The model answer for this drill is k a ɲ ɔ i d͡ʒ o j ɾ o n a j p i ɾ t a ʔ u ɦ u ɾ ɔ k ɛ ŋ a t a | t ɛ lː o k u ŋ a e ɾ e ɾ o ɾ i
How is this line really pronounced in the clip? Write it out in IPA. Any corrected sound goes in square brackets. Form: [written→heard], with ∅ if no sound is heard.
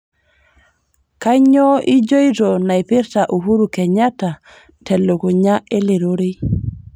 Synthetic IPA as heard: k a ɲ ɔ i d͡ʒ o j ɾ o n a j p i ɾ t a ʔ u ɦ u ɾ [ɔ→u] k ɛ [ŋ→ɲ] a t a | t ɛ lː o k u [ŋ→ɲ] a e [ɾ→l] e ɾ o ɾ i

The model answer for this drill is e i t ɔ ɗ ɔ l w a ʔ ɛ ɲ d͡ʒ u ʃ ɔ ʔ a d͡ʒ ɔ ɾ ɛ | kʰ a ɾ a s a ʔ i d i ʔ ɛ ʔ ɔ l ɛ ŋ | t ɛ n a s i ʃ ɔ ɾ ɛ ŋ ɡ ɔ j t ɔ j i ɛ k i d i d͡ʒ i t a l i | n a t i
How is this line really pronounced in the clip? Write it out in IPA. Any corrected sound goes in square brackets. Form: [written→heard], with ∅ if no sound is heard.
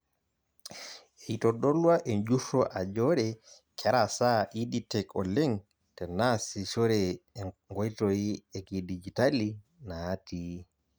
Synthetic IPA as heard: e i t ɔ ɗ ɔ l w a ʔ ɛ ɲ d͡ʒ u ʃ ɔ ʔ a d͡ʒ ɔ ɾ ɛ | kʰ [a→ɛ] ɾ a s a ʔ i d i [ʔ→t] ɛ [ʔ→k] ɔ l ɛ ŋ | t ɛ n a s i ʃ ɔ ɾ ɛ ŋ ɡ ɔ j t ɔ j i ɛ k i d i d͡ʒ i t a l i | n a t i

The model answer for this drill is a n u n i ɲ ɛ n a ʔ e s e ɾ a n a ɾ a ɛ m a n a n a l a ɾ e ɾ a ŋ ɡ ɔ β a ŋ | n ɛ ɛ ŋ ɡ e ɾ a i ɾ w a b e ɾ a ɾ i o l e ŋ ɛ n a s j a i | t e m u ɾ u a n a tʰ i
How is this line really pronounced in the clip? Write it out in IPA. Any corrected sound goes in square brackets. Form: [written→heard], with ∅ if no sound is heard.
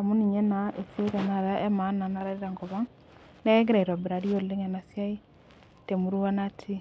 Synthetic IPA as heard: a [n→m] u n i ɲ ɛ n a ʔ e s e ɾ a n a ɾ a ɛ m a n a n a [l→ɾ] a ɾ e ɾ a ŋ ɡ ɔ β a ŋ | n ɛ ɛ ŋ ɡ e ɾ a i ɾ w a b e ɾ a ɾ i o l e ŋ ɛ n a s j a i | t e m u ɾ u a n a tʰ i

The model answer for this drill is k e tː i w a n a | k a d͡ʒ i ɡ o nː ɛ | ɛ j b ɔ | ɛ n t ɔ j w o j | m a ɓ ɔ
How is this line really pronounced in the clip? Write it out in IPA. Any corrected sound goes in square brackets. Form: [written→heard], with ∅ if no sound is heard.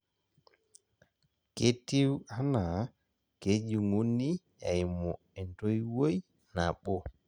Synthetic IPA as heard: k e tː i w a n a | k [a→e] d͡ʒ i [ɡ→ŋ] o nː [ɛ→i] | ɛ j [b→m] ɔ | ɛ n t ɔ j w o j | [m→n] a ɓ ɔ

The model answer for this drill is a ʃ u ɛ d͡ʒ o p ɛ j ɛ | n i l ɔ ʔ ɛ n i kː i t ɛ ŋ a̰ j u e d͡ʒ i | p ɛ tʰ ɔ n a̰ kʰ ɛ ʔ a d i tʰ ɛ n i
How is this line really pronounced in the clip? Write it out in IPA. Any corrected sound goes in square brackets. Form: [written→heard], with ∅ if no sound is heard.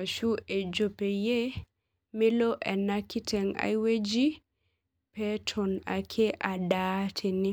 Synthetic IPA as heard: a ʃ u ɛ d͡ʒ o p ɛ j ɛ | [n→m] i l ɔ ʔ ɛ n [i→a] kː i t ɛ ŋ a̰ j [u→w] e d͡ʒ i | p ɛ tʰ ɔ n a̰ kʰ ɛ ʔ a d [i→a] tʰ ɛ n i

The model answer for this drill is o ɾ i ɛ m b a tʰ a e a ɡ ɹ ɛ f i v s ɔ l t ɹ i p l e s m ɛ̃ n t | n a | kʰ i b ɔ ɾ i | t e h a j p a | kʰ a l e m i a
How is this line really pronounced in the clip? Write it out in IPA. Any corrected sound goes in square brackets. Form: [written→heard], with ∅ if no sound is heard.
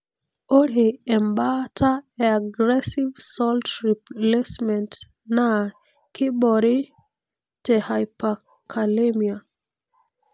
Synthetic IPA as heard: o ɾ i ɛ m b a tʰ a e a ɡ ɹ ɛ [f→s] i v s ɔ l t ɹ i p l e s m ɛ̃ n t | n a | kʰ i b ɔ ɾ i | t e h a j p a | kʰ a l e m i a

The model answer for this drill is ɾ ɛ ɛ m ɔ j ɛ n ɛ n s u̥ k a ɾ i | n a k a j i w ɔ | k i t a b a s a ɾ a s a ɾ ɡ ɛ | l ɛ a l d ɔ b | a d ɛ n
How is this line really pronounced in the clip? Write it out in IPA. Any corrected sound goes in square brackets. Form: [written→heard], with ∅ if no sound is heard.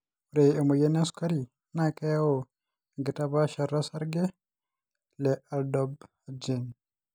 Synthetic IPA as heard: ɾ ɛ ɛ m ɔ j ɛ n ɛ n s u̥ k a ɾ i | n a k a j [i→a] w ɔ | [k→ɡ] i t a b a [s→ʃ] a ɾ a s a ɾ ɡ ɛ | l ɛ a l d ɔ b | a [d→d͡ʒ] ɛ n

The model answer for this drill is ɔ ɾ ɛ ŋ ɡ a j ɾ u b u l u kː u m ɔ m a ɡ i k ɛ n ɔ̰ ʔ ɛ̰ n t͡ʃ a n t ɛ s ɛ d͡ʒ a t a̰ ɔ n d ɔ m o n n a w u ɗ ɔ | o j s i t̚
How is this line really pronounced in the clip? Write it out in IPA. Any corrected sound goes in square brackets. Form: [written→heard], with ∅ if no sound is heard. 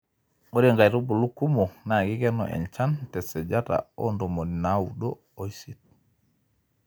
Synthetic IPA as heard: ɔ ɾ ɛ ŋ ɡ a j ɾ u b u l u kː u m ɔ [m→n] a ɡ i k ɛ n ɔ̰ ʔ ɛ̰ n t͡ʃ a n t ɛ s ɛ d͡ʒ a t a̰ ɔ n d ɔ m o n n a w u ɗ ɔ | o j s i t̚

